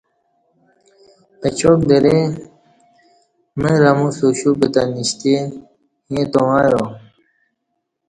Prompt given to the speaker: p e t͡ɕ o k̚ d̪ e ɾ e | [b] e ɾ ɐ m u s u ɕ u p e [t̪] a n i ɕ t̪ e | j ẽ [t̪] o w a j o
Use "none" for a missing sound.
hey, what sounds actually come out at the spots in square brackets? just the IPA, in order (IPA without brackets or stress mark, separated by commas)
m, t̪, t̪